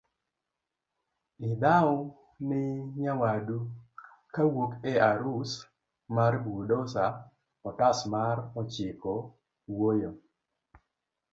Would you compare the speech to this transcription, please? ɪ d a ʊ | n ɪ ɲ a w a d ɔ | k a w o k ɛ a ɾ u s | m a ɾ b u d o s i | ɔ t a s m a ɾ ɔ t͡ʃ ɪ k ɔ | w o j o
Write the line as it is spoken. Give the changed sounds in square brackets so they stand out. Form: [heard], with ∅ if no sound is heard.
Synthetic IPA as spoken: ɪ d a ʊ | n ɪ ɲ a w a d [u] | k a w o k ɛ a ɾ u s | m a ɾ b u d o s [a] | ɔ t a s m a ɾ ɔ t͡ʃ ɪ k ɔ | w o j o